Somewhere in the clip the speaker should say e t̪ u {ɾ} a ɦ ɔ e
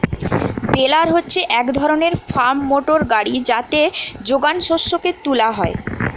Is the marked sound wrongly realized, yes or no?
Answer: yes